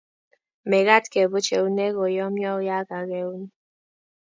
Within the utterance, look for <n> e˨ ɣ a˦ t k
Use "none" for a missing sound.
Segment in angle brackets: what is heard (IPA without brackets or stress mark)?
m